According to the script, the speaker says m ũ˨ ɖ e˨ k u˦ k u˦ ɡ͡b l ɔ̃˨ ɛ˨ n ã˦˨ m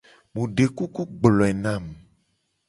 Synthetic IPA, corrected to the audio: m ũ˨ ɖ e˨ k u˦ k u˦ ɡ͡b l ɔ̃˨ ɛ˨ n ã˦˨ m